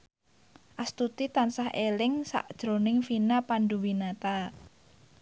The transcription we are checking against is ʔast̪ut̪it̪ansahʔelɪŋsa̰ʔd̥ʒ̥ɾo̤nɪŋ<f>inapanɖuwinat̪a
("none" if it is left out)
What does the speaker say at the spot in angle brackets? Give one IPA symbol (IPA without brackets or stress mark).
f